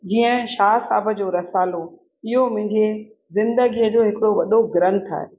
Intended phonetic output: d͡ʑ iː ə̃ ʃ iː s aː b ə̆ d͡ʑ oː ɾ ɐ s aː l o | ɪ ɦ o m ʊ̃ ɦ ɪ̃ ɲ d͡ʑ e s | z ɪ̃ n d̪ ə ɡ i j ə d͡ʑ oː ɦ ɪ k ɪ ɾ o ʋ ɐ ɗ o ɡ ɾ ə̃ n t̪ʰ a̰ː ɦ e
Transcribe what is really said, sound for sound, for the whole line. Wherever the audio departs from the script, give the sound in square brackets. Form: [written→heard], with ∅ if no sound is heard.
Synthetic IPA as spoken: d͡ʑ iː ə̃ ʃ [iː→aː] s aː b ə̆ d͡ʑ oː ɾ ɐ s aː l o | ɪ ɦ o m ʊ̃ ɦ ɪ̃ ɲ d͡ʑ e [s→∅] | z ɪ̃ n d̪ ə ɡ i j ə d͡ʑ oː ɦ ɪ k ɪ [ɾ→ɽ] o ʋ ɐ ɗ o ɡ ɾ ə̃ n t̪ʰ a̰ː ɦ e

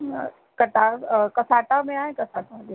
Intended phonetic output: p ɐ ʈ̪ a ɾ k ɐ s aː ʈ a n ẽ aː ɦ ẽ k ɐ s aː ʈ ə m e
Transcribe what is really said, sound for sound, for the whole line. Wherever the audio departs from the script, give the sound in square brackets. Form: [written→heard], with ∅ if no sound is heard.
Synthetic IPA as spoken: [p→k] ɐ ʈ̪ a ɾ k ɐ s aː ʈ a [n→m] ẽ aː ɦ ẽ k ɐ s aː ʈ [ə→a] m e

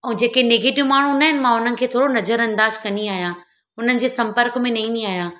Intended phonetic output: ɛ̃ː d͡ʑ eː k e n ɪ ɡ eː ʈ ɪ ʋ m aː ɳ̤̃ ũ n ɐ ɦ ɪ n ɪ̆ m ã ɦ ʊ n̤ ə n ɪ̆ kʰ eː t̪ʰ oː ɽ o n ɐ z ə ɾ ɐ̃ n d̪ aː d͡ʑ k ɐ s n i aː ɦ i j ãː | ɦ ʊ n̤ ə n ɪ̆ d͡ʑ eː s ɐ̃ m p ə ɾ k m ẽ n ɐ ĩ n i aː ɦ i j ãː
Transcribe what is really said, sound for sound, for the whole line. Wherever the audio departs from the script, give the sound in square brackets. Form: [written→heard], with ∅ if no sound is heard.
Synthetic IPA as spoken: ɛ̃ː d͡ʑ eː k e n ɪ ɡ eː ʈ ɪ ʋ m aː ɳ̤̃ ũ n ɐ ɦ ɪ n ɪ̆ m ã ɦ ʊ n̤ ə n ɪ̆ kʰ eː t̪ʰ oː ɽ o n ɐ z ə ɾ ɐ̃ n d̪ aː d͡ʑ k ɐ [s→∅] n i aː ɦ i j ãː | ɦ ʊ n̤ ə n ɪ̆ d͡ʑ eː s ɐ̃ m p ə ɾ k m ẽ n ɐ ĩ n i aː ɦ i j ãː

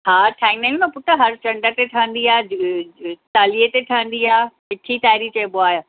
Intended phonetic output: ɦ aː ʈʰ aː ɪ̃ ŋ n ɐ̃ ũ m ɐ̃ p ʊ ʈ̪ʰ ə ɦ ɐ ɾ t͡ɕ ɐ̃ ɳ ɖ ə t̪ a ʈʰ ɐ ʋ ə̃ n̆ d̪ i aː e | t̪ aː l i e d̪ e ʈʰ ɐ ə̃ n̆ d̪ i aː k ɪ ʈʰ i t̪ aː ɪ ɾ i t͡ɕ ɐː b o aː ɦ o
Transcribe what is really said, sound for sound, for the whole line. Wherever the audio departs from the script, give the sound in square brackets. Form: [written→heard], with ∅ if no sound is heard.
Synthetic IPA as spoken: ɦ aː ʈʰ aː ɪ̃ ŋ n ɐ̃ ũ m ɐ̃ p ʊ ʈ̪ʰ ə ɦ ɐ ɾ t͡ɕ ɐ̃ ɳ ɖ ə t̪ [a→e] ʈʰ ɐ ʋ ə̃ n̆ d̪ i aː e | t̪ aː l i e [d̪→t̪] e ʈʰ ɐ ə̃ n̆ d̪ i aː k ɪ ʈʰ i t̪ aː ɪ ɾ i t͡ɕ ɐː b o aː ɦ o

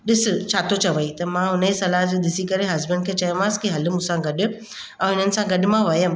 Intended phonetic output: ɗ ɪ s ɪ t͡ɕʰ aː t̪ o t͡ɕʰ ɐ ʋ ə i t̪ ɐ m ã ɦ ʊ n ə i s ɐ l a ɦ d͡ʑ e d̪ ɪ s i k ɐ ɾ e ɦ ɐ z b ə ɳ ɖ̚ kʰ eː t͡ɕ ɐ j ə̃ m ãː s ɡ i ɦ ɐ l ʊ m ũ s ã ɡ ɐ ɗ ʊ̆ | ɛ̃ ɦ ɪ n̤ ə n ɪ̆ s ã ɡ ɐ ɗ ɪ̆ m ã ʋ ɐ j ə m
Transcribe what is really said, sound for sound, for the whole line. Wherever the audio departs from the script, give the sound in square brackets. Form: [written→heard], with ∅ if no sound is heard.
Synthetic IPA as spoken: ɗ ɪ s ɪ t͡ɕʰ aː t̪ o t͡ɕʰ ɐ ʋ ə i t̪ ɐ m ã ɦ ʊ n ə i s ɐ l a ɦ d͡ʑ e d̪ ɪ s i k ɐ ɾ e ɦ ɐ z b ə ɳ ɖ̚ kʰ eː t͡ɕ ɐ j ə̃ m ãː s [ɡ→k] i ɦ ɐ l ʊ m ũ s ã ɡ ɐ ɗ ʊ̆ | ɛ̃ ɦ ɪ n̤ ə n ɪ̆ s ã ɡ ɐ ɗ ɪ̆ m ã ʋ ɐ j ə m

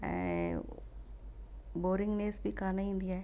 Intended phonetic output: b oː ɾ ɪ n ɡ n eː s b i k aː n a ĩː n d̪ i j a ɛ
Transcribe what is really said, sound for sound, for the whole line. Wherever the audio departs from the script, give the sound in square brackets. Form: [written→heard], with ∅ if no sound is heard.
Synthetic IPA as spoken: b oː ɾ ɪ [n→ŋ] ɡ n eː s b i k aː n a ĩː n d̪ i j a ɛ

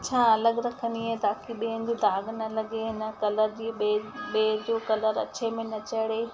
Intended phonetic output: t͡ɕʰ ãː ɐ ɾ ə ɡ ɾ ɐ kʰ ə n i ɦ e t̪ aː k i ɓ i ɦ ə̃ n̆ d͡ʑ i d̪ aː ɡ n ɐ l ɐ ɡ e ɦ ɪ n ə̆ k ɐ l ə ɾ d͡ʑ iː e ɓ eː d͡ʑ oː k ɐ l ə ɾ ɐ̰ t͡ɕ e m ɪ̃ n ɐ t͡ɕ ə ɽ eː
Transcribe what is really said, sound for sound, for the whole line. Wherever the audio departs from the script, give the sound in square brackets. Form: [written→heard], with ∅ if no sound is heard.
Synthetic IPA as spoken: t͡ɕʰ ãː ɐ [ɾ→l] ə ɡ ɾ ɐ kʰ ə n i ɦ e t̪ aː k i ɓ i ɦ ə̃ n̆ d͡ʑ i d̪ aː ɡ n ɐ l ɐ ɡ e ɦ ɪ n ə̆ k ɐ l ə ɾ d͡ʑ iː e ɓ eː d͡ʑ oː k ɐ l ə ɾ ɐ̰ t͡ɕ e m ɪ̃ n ɐ t͡ɕ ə ɽ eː

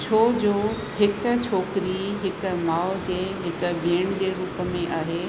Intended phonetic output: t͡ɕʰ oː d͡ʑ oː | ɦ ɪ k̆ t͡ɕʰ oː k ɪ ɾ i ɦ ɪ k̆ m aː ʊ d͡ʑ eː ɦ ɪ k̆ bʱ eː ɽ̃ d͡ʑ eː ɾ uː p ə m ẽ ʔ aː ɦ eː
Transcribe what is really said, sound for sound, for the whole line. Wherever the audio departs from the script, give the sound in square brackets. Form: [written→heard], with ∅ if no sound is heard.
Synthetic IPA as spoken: t͡ɕʰ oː d͡ʑ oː | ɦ ɪ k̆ t͡ɕʰ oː k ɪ ɾ i ɦ ɪ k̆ m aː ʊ d͡ʑ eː ɦ ɪ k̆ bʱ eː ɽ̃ d͡ʑ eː ɾ uː p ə m ẽ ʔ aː ɦ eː

